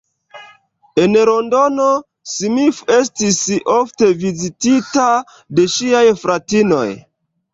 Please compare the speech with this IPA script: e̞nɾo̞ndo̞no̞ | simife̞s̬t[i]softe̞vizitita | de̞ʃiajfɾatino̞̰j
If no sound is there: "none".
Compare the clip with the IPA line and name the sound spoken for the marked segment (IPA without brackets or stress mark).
i